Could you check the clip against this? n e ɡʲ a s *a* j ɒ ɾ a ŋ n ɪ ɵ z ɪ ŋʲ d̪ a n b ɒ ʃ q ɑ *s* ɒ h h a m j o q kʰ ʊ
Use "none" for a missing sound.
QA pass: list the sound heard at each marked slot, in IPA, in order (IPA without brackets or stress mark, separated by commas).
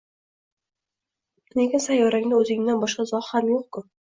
a, z